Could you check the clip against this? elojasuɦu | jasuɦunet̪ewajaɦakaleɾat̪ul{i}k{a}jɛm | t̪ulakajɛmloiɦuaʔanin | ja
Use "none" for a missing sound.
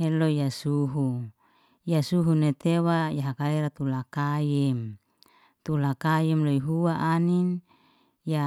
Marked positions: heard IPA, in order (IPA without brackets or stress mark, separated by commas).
a, a